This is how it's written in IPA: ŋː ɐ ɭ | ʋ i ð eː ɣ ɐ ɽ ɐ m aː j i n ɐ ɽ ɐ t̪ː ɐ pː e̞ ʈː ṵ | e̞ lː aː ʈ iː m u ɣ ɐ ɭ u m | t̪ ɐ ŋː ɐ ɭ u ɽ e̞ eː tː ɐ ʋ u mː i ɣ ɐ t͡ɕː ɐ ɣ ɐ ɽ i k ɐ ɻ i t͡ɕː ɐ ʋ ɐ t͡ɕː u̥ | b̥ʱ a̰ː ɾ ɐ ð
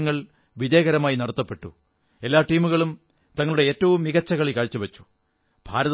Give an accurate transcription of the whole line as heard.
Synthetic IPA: ŋː ɐ ɭ | ʋ i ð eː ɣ ɐ ɾ ɐ m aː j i n ɐ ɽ ɐ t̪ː ɐ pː e̞ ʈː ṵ | e̞ lː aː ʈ iː m u ɣ ɐ ɭ u m | t̪ ɐ ŋː ɐ ɭ u ɽ e̞ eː tː ɐ ʋ u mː i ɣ ɐ t͡ɕː ɐ ɣ ɐ ɭ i k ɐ ɻ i t͡ɕː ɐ ʋ ɐ t͡ɕː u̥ | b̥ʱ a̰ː ɾ ɐ ð